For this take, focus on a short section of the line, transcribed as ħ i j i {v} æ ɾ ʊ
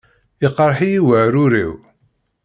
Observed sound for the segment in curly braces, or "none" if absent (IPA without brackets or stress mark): w